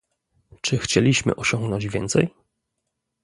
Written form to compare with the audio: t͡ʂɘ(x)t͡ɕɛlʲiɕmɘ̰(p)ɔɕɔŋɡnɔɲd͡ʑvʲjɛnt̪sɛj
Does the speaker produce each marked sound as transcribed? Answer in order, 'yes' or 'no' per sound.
yes, no

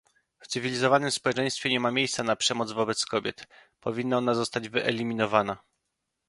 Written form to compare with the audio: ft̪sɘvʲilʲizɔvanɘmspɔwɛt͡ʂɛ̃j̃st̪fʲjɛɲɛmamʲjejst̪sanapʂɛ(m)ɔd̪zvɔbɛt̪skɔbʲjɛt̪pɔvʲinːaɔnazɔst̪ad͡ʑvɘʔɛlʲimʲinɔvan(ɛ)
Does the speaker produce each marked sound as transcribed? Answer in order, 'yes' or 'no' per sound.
yes, no

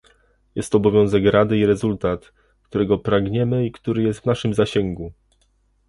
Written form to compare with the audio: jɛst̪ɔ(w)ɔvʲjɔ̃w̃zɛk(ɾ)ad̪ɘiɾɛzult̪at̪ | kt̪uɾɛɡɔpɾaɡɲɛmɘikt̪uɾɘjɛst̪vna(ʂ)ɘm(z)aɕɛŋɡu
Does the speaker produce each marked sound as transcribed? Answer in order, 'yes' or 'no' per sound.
no, yes, yes, yes

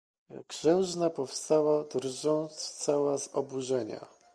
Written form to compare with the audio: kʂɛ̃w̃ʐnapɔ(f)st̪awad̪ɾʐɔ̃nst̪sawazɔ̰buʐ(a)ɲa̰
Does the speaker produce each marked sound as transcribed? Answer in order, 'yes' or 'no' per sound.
yes, no

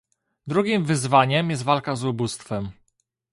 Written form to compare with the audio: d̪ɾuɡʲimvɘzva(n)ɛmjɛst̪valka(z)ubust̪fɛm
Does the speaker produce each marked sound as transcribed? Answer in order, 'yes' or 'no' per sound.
no, yes

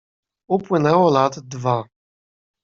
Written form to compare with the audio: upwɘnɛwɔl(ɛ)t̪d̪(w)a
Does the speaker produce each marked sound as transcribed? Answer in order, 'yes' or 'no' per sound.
no, no

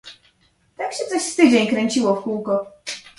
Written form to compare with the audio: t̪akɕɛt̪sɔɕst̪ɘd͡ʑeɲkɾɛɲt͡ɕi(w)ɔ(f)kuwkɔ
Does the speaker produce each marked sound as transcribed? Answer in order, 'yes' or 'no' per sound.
yes, yes

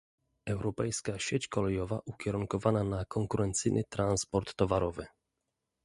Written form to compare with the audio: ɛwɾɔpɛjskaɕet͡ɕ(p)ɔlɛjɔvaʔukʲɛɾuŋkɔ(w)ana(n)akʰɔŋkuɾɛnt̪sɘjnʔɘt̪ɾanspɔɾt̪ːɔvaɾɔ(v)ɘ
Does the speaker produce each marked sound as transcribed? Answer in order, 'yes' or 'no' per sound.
no, no, yes, yes

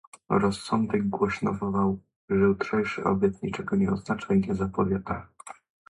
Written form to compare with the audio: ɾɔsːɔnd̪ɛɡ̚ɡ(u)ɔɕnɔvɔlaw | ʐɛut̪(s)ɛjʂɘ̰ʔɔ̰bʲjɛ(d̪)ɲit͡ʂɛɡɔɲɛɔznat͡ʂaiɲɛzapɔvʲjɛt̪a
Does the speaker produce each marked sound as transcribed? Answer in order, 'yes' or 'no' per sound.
no, no, no

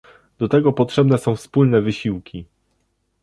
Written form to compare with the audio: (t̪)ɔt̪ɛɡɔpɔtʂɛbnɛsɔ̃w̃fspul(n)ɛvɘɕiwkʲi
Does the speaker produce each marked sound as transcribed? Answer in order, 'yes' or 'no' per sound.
no, yes

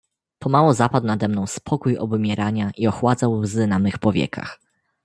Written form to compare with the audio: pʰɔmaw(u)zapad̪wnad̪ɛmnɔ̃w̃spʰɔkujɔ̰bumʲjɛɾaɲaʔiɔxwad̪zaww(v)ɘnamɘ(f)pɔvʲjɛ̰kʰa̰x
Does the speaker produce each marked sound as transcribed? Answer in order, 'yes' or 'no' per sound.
no, no, no

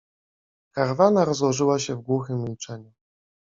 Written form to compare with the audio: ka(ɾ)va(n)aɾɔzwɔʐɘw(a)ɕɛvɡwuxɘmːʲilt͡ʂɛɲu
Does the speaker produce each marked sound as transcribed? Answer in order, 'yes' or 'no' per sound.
yes, yes, yes

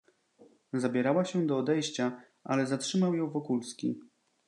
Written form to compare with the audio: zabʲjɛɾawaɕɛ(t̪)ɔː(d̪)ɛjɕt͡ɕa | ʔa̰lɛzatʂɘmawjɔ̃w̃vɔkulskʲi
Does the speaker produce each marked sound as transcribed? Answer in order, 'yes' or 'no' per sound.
no, yes

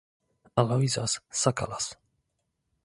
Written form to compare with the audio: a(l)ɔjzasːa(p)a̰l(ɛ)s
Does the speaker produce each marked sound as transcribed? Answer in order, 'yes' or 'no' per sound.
yes, no, no

